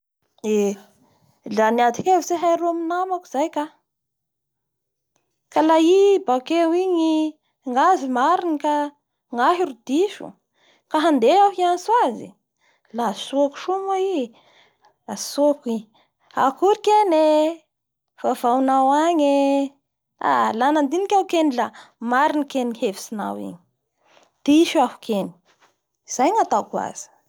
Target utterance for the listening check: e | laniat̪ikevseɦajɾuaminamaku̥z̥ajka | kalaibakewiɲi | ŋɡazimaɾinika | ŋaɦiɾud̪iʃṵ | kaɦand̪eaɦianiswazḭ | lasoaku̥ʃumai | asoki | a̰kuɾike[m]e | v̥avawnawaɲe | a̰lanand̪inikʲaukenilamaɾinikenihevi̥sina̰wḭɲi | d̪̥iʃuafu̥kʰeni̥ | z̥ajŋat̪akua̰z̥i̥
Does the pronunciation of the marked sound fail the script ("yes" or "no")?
yes